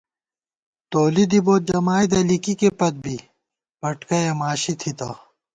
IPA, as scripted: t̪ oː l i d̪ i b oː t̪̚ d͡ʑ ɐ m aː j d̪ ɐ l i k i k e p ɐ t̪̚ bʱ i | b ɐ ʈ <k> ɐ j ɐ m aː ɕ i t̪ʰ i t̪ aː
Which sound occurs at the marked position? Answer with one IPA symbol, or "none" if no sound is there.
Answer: k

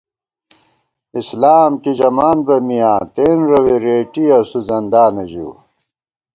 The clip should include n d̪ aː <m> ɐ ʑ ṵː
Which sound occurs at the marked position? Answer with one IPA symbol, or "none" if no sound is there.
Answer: n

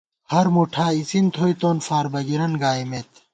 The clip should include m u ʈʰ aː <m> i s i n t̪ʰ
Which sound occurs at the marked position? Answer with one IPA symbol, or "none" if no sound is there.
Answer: none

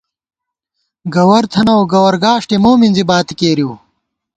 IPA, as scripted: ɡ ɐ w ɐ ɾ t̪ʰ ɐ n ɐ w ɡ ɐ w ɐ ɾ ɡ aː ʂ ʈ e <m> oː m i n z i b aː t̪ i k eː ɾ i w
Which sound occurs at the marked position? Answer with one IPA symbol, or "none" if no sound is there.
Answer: m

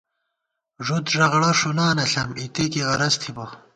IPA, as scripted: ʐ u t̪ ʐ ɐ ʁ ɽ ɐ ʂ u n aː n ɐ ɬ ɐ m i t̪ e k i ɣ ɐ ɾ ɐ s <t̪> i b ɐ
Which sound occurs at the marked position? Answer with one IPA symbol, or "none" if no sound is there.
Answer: t̪ʰ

